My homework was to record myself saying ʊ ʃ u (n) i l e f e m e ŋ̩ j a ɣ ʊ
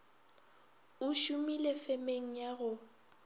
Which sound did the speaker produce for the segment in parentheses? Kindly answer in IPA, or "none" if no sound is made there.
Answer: m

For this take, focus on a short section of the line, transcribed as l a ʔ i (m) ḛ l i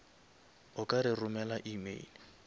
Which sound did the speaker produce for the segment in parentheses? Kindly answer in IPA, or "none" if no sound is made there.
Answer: m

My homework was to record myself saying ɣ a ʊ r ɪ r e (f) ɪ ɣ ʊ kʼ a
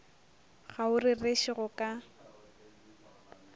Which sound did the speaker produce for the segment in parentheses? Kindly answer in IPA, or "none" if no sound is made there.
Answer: ʃ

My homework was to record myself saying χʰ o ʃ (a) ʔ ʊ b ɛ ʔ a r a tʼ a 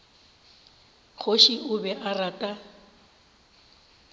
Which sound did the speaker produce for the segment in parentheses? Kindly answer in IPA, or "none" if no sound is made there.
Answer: i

